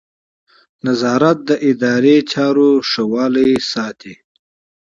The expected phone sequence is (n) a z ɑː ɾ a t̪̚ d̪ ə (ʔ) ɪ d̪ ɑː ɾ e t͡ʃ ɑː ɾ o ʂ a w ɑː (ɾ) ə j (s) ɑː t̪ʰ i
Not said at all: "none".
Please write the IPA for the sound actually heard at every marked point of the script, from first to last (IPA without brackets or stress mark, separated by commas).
n, ʔ, l, s